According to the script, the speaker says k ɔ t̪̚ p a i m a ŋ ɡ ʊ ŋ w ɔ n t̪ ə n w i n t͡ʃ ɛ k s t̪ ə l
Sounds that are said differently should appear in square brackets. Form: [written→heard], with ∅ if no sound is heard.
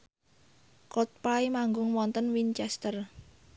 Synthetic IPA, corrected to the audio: k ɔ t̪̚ p a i m a ŋ ɡ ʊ ŋ w ɔ n t̪ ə n w i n t͡ʃ ɛ [k→∅] s t̪ ə [l→r]